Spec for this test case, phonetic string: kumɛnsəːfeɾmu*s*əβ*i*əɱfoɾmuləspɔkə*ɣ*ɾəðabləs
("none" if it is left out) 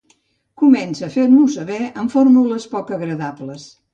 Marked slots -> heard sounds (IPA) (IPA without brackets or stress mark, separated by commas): s, ɛ, ɣ